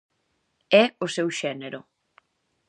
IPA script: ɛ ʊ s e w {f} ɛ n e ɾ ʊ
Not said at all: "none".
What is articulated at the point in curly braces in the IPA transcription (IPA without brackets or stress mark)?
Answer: ʃ